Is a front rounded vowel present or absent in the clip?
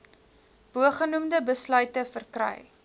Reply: present